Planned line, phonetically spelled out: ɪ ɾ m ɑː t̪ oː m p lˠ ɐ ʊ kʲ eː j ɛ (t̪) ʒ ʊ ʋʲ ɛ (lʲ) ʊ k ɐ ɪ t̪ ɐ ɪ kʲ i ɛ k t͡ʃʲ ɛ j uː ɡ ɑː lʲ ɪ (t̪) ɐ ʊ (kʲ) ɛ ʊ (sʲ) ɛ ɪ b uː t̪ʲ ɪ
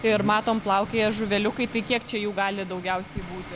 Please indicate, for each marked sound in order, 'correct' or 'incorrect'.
incorrect, correct, incorrect, incorrect, correct

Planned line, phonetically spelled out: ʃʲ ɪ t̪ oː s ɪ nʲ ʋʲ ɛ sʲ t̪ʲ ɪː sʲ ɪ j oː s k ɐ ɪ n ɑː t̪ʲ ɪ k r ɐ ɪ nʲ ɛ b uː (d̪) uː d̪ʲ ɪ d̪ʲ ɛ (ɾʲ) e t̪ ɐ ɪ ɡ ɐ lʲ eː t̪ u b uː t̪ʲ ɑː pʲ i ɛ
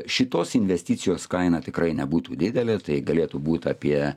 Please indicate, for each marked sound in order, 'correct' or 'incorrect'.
incorrect, incorrect

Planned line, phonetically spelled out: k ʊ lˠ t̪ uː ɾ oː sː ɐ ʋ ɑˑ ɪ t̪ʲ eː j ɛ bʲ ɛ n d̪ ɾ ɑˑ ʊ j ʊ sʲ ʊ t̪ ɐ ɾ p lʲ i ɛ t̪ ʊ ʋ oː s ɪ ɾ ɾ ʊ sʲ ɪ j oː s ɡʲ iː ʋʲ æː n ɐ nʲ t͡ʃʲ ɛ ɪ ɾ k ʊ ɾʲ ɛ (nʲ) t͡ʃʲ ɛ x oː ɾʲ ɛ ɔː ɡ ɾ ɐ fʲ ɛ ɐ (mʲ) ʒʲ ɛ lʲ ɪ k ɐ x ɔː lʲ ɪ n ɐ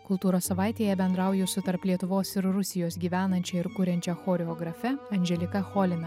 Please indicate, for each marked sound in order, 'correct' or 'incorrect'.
correct, incorrect

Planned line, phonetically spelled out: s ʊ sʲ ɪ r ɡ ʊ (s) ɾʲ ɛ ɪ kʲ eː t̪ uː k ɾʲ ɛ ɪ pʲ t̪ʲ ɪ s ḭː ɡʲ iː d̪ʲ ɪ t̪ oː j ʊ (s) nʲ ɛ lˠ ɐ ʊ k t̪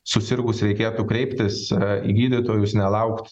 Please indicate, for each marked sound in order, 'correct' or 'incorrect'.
correct, correct

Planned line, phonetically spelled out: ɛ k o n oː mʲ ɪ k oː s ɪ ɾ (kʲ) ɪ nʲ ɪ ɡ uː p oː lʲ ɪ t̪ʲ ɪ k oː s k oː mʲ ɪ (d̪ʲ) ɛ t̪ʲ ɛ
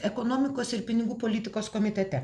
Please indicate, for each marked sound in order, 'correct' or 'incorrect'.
incorrect, incorrect

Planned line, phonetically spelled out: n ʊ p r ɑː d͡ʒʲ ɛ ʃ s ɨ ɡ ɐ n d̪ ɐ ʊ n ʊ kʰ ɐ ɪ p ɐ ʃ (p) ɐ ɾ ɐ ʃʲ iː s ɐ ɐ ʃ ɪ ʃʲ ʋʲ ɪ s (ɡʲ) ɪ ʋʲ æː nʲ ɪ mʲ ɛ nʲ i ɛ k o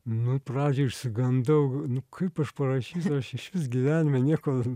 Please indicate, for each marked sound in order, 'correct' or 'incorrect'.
correct, correct

